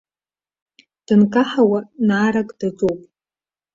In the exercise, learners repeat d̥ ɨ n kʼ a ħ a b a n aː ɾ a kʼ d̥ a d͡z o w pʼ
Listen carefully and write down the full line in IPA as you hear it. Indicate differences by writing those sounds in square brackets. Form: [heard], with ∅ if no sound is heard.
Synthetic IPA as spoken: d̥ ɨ n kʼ a ħ a [w] a n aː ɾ a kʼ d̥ a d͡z o w pʼ